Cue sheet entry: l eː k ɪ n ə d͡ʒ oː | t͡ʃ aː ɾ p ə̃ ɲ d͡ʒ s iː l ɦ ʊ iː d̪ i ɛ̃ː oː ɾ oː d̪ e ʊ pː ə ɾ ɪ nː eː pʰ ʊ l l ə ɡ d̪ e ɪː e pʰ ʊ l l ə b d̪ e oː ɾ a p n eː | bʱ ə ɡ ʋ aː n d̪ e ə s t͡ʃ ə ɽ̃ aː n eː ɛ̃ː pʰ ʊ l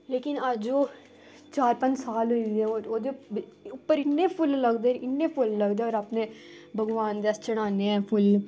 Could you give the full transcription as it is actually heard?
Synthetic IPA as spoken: l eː k ɪ n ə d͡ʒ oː | t͡ʃ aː ɾ p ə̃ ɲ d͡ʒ s aː l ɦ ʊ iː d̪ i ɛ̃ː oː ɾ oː d̪ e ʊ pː ə ɾ ɪ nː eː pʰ ʊ l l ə ɡ d̪ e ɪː e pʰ ʊ l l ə ɡ d̪ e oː ɾ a p n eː | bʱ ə ɡ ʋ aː n d̪ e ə s t͡ʃ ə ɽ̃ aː n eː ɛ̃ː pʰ ʊ l